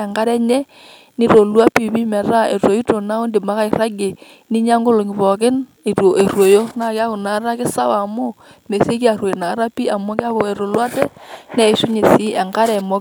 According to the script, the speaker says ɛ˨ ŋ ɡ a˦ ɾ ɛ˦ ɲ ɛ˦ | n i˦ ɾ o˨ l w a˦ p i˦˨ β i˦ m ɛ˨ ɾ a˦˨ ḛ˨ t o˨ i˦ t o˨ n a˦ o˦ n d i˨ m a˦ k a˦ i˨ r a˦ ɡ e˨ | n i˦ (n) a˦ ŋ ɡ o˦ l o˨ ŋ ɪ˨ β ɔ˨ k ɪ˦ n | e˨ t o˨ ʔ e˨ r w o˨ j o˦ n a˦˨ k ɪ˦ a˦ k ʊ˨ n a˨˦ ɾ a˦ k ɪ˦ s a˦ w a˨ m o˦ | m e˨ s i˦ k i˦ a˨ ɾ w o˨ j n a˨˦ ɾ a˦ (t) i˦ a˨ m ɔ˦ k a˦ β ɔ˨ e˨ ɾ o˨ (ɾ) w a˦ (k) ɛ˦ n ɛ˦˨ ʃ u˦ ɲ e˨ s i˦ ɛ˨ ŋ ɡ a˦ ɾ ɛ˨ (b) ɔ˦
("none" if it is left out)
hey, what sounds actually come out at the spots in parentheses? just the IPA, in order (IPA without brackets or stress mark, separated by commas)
ɲ, p, l, t, m